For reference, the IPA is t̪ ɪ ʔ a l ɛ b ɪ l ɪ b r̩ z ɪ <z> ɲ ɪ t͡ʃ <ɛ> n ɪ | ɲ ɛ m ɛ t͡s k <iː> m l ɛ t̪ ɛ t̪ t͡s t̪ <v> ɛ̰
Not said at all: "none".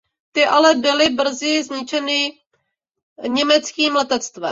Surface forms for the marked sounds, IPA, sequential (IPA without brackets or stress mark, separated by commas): z, ɛ, iː, v